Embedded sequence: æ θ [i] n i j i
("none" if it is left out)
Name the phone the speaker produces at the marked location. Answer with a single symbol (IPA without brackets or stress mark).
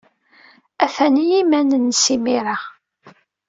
æ